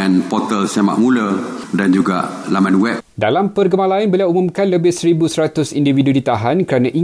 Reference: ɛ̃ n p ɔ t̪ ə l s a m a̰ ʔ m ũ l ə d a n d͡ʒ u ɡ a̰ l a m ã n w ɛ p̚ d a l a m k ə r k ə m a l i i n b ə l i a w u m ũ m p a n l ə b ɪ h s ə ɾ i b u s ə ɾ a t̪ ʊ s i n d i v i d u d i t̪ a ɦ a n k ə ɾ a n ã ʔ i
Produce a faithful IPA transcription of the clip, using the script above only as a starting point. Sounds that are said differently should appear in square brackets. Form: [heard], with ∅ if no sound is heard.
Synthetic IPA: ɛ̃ n p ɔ t̪ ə l s a m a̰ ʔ m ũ l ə d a n d͡ʒ u ɡ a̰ l a m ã n w ɛ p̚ d a l a m [p] ə r [ɡ] ə m a l [a] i n b ə l i a w u m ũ m [k] a n l ə b ɪ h s ə ɾ i b u s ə ɾ a t̪ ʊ s i n d i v i d u d i t̪ a ɦ a n k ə ɾ a n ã ʔ i